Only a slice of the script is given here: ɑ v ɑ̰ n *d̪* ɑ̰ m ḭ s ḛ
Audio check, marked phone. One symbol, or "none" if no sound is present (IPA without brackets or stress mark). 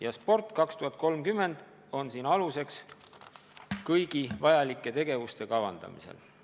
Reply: d̪